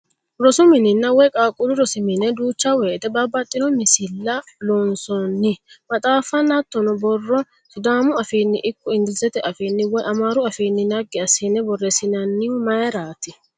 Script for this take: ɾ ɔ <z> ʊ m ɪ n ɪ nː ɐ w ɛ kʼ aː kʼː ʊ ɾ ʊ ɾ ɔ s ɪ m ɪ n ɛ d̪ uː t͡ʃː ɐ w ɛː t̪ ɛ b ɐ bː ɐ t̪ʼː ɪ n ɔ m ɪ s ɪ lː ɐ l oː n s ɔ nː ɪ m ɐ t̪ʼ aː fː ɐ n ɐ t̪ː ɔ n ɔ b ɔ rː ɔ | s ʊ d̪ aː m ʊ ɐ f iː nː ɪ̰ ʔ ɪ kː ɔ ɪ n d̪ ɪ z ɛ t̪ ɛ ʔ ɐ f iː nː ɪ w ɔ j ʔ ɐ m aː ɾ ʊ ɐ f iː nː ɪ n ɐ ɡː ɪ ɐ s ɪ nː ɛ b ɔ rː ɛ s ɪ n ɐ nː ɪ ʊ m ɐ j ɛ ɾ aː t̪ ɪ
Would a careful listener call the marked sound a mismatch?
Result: yes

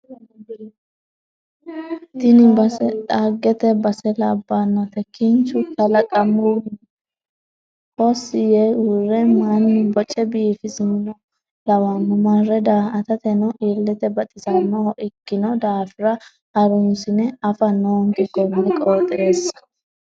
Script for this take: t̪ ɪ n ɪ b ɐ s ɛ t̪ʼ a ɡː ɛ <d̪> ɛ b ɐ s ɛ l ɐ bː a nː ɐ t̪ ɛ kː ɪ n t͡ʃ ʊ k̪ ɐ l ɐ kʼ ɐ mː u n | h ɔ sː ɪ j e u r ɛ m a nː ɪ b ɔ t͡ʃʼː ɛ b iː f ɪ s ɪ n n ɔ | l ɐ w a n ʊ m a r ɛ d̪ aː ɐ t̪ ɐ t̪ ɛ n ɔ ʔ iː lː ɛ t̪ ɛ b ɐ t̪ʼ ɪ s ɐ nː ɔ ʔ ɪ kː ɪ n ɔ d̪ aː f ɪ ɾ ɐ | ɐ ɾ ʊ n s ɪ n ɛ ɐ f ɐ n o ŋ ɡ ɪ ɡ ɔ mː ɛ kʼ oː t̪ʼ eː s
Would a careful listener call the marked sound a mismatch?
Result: yes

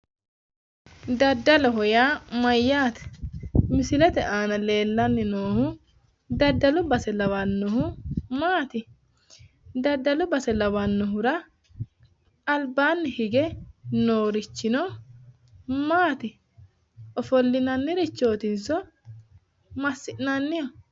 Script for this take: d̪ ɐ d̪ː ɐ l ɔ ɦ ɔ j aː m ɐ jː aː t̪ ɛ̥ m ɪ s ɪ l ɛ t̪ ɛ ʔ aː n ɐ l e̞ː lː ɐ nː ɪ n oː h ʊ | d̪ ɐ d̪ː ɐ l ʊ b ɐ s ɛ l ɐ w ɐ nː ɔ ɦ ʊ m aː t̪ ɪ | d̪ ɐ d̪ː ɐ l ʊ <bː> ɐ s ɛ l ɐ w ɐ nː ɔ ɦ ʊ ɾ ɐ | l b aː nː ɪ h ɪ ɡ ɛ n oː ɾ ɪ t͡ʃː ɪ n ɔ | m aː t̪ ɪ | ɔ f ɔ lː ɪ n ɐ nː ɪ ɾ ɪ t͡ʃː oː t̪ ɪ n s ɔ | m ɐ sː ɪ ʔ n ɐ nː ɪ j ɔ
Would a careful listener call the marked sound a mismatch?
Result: yes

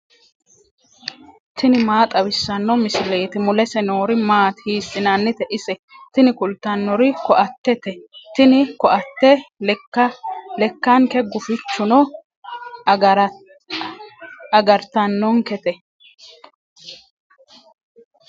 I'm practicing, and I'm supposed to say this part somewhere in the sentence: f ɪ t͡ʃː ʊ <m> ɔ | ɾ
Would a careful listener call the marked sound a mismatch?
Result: yes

